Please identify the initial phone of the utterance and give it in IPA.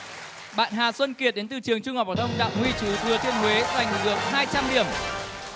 ɓ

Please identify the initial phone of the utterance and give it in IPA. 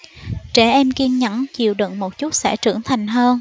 t͡ɕ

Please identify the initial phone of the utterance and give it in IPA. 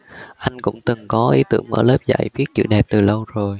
ʔ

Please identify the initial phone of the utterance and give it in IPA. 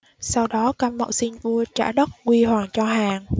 s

